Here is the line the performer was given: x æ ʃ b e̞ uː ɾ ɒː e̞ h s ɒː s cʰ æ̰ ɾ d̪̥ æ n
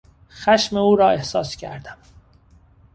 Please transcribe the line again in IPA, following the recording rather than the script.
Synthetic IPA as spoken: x æ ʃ m e̞ uː ɾ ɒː e̞ h s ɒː s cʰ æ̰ ɾ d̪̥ æ m